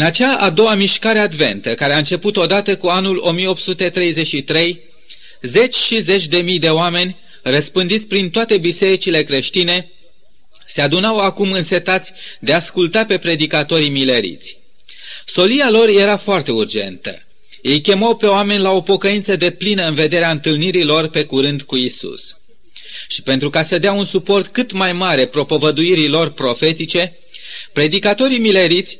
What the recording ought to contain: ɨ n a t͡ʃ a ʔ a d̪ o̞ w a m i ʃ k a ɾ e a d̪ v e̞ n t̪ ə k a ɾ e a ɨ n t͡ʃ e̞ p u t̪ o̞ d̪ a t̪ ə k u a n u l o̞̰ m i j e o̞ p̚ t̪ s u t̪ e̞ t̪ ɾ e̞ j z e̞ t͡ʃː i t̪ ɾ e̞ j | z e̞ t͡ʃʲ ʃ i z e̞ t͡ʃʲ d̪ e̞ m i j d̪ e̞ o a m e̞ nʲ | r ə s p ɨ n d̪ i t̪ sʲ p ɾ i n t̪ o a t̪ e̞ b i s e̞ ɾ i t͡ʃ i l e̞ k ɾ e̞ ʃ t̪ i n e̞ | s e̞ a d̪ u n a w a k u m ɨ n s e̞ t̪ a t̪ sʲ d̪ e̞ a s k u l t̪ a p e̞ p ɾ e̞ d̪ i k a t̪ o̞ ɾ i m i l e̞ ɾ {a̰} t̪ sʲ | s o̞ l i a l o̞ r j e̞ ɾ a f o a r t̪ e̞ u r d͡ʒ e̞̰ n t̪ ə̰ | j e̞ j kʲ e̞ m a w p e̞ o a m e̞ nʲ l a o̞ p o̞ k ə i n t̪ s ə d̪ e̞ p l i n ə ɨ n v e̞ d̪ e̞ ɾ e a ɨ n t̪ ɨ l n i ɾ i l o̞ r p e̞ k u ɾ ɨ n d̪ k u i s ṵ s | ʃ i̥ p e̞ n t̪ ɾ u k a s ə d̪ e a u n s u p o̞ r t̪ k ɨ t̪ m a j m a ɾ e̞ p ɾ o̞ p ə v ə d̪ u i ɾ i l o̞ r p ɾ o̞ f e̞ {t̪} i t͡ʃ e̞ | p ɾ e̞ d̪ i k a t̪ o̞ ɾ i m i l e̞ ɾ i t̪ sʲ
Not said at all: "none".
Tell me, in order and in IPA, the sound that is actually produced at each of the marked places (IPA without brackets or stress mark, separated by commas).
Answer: ḭ, t̪